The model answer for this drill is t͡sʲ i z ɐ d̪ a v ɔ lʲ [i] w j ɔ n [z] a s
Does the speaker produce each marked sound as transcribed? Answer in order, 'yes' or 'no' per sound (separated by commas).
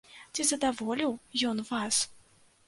yes, no